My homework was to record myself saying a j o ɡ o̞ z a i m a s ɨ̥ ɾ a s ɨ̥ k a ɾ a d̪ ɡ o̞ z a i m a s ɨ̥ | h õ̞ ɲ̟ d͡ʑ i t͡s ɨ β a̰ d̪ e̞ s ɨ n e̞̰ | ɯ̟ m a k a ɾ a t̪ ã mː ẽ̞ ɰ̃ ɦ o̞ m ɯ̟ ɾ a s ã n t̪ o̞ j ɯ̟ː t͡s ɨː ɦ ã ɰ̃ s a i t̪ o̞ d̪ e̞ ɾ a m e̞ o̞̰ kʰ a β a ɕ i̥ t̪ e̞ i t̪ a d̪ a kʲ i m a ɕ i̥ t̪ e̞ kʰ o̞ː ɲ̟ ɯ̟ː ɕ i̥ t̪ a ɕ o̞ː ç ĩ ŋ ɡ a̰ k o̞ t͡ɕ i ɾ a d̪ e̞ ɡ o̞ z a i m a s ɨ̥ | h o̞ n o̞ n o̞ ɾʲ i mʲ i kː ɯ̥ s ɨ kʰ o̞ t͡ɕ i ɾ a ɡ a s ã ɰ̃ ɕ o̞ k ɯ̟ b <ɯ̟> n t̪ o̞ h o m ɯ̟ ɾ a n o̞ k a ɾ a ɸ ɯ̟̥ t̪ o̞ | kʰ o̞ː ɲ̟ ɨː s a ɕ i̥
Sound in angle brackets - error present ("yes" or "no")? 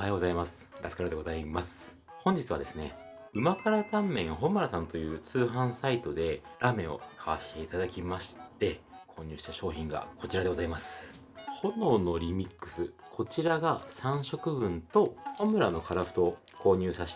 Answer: yes